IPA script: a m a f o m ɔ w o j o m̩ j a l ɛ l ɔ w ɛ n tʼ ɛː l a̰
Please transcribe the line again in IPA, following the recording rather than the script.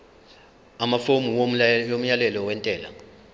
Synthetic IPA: a m a f o m u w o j o m̩ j a l ɛ l ɔ w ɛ n tʼ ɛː l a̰